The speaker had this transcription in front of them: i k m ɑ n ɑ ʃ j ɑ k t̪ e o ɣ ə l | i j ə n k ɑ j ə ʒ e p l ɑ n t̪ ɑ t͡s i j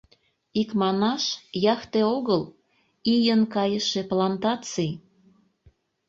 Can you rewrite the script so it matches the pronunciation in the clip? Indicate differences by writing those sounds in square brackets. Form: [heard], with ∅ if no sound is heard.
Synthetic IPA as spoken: i k m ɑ n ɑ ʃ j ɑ [x] t̪ e o ɣ ə l | i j ə n k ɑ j ə [ʃ] e p l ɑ n t̪ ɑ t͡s i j